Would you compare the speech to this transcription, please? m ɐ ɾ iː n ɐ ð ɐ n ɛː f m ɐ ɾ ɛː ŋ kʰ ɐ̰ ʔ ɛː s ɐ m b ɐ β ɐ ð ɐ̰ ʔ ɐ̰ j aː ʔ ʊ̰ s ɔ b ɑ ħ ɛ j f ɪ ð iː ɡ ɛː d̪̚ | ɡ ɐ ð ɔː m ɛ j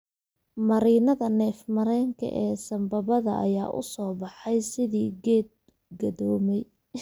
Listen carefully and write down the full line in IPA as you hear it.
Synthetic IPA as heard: m ɐ ɾ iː n ɐ ð ɐ n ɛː f m ɐ ɾ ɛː ŋ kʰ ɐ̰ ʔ ɛː s ɐ m b ɐ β ɐ ð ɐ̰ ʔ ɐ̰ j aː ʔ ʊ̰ s ɔː b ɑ ħ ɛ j s ɪ ð iː ɡ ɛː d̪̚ | ɡ ɐ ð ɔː m ɛ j